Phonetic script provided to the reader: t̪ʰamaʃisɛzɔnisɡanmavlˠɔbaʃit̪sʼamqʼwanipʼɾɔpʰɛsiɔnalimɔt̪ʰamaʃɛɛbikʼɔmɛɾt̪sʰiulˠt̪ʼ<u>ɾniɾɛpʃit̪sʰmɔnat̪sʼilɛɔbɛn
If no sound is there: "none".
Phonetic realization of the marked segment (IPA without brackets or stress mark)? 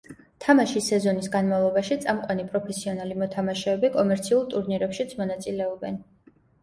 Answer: u